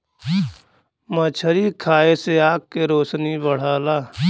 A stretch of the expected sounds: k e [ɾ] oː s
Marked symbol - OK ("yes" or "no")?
yes